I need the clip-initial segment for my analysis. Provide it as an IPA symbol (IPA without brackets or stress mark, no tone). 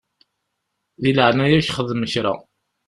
ð